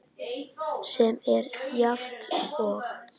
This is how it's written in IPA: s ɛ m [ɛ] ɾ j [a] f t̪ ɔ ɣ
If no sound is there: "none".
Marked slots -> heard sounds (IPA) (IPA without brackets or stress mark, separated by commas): ɛ, a